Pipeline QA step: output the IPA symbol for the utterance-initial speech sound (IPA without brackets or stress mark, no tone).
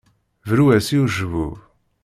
v